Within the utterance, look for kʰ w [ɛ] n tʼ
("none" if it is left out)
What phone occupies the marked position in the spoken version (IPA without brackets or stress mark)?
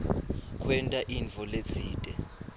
ɛ